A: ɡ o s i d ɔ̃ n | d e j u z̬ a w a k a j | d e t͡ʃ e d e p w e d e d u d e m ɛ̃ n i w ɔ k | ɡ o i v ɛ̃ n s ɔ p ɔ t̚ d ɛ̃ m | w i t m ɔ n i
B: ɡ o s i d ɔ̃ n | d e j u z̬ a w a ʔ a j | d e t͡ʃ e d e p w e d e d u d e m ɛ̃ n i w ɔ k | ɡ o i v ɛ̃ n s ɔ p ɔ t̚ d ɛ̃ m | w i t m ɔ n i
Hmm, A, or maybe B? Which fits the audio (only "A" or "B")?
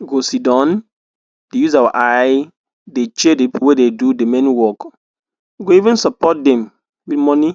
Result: B